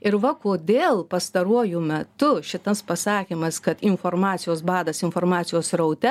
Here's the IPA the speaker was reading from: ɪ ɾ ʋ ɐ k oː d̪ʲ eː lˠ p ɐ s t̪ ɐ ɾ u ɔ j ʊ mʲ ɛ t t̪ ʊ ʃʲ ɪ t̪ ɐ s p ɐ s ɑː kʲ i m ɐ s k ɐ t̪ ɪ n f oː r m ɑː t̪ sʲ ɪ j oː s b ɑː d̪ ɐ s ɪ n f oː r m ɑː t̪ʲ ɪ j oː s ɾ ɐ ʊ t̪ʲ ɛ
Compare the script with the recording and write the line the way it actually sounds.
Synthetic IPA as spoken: ɪ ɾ ʋ ɐ k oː d̪ʲ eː lˠ p ɐ s t̪ ɐ ɾ u ɔ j ʊ mʲ ɛ t t̪ ʊ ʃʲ ɪ t̪ ɐ s p ɐ s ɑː kʲ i m ɐ s k ɐ t̪ ɪ n f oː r m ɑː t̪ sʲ ɪ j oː s b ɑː d̪ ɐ s ɪ n f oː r m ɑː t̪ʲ ɪ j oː s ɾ ɐ ʊ t̪ʲ ɛ